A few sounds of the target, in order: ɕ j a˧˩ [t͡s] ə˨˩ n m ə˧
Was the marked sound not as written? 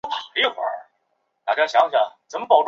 no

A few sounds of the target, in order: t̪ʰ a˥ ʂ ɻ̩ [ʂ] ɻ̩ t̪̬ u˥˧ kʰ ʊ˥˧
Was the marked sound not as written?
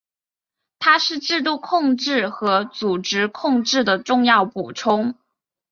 yes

